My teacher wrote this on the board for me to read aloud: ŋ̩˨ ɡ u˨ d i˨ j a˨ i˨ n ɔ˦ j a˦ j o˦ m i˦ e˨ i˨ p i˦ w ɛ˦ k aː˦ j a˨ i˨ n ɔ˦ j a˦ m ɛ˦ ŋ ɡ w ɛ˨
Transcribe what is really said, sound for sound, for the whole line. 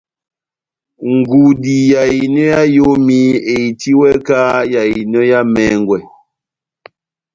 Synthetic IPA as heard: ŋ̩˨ ɡ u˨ d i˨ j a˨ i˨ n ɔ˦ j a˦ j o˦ m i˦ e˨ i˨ t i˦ w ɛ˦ k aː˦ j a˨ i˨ n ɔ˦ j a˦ m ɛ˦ ŋ ɡ w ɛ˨